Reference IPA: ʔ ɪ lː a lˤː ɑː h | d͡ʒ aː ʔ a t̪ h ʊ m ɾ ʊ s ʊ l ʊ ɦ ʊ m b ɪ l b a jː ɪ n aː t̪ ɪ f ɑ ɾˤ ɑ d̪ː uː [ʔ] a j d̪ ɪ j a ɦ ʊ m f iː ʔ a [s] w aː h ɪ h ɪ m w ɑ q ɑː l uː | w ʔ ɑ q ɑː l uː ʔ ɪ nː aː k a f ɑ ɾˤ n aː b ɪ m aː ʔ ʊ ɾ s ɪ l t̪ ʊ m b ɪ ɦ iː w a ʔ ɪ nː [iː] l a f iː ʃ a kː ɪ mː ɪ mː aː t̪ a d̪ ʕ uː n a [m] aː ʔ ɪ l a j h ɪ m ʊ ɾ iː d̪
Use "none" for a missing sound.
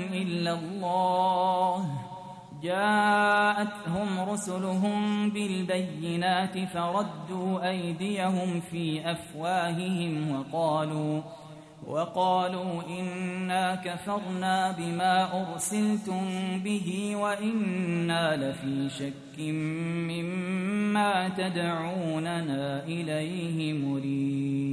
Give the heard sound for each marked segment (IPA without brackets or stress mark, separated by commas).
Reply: ʔ, f, aː, n